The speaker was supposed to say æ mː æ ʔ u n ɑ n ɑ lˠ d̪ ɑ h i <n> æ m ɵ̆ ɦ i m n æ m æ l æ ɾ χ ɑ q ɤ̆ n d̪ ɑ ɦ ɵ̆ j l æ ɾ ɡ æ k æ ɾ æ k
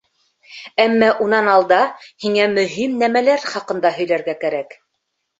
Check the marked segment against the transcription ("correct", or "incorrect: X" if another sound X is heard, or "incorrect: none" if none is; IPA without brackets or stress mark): incorrect: ŋ